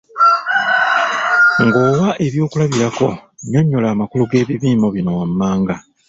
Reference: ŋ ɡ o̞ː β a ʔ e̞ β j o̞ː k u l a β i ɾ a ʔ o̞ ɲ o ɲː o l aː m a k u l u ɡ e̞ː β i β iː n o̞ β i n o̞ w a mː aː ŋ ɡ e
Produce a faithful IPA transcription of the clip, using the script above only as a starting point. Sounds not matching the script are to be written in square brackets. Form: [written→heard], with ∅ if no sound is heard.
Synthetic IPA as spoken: ŋ ɡ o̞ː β a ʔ e̞ β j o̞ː k u l a β i ɾ a [ʔ→k] o̞ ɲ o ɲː o l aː m a k u l u ɡ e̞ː β i β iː [n→m] o̞ β i n o̞ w a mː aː ŋ ɡ [e→a]

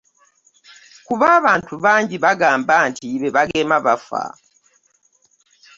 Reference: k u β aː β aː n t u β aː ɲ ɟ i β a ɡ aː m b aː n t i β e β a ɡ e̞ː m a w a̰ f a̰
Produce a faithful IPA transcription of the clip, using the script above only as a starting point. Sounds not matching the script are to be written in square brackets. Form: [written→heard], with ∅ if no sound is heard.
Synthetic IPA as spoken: k u β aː β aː n t u β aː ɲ ɟ i β a ɡ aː m b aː n t i β e β a ɡ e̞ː m a [w→β] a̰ f a̰

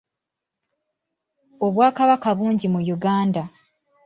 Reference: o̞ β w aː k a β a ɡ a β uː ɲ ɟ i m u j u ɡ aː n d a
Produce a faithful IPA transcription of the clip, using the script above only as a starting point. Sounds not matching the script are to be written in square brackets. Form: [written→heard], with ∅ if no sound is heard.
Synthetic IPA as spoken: o̞ β w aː k a β a [ɡ→k] a β uː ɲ ɟ i m u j u ɡ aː n d a

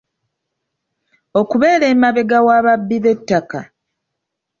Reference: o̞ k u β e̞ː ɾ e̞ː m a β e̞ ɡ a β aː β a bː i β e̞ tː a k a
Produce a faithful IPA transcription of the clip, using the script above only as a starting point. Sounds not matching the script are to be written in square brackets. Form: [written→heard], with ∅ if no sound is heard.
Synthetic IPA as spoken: o̞ k u β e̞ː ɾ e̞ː m a β e̞ ɡ a [β→w] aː β a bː i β e̞ tː a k a

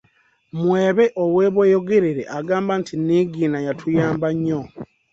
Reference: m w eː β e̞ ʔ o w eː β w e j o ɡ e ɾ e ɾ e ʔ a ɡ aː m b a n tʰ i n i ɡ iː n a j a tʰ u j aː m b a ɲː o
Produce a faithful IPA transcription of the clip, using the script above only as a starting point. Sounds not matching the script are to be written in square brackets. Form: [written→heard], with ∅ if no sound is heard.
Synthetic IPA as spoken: m w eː β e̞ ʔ o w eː β w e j o ɡ e ɾ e ɾ e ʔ a ɡ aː m b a n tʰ i n i ɡ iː n a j a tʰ u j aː m b a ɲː o

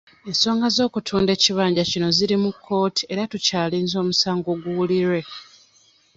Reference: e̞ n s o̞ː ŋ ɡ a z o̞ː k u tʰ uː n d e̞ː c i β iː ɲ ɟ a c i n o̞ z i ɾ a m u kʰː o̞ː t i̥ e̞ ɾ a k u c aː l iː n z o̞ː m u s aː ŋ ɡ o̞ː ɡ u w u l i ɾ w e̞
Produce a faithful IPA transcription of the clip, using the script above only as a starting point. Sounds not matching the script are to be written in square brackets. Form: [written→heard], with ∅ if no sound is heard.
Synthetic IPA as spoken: e̞ n s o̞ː ŋ ɡ a z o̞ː k u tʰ uː n d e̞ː c i β [iː→aː] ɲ ɟ a c i n o̞ z i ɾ [a→i] m u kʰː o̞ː t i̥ e̞ ɾ a [k→t] u c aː l iː n z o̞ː m u s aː ŋ ɡ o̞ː ɡ u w u l i ɾ w e̞

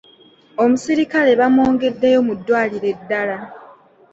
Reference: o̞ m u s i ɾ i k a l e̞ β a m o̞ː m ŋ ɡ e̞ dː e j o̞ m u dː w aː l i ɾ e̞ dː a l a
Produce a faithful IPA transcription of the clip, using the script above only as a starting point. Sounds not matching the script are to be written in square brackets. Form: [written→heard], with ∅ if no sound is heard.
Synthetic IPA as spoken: o̞ m u s i ɾ i k a l e̞ β a m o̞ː [m→∅] ŋ ɡ e̞ dː e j o̞ m u dː w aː l i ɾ e̞ dː a l a

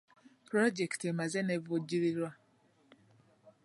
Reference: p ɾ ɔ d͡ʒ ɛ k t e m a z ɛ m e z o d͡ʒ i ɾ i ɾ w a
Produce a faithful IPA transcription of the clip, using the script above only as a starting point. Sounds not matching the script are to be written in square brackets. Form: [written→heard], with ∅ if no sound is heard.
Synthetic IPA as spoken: p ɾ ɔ d͡ʒ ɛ k t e m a z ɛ [m→n] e [z→v] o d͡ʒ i ɾ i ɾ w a

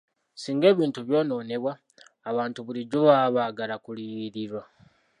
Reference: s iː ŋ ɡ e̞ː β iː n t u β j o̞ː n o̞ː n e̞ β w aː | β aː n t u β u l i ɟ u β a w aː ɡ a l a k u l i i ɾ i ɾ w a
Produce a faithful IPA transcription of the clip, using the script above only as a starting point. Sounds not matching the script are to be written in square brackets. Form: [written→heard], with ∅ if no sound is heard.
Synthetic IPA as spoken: s iː ŋ ɡ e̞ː β iː n t u β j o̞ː n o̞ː n e̞ β w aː | β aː n t u β u l i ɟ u β a [w→β] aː ɡ a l a k u l i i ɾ i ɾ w a

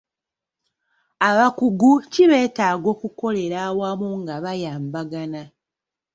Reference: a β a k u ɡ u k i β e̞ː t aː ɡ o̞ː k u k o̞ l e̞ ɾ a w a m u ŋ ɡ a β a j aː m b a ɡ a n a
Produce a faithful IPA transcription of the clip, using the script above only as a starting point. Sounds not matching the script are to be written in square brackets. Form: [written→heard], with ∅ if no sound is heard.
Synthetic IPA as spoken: a β a k u ɡ u [k→c] i β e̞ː t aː ɡ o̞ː k u k o̞ l e̞ ɾ a w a m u ŋ ɡ a β a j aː m b a ɡ a n a

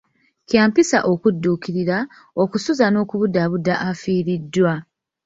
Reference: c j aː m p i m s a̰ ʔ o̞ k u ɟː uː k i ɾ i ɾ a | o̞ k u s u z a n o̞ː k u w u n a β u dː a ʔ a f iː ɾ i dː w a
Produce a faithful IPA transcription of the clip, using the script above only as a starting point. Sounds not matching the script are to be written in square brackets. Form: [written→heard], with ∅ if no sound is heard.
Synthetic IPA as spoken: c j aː m p i [m→∅] s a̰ ʔ o̞ k u [ɟː→dː] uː k i ɾ i ɾ a | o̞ k u s u z a n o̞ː k u [w→β] u [n→d] a β u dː a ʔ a f iː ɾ i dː w a

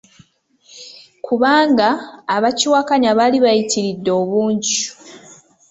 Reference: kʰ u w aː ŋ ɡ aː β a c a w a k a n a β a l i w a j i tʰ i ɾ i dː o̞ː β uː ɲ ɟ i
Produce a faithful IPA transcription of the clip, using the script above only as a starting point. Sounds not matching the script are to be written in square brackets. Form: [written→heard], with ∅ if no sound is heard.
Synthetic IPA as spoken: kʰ u [w→β] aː ŋ ɡ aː β a c [a→i] w a k a [n→ɲ] a β a l i [w→β] a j i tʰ i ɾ i dː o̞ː β uː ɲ ɟ i

